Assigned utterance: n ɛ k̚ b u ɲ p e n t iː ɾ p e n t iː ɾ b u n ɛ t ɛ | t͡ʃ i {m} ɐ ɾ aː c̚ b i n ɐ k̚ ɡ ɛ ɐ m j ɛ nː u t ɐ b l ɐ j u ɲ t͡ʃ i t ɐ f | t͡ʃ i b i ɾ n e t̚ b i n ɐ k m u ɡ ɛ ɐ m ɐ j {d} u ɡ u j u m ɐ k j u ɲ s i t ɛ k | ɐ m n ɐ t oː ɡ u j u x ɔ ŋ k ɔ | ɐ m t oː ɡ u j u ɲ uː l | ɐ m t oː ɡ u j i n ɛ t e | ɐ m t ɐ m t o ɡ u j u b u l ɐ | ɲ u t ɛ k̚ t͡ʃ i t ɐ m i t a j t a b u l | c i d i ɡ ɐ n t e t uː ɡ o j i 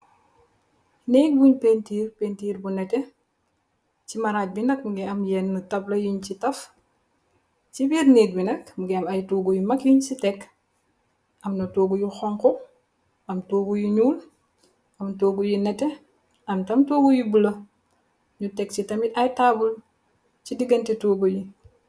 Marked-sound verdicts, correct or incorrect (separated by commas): correct, incorrect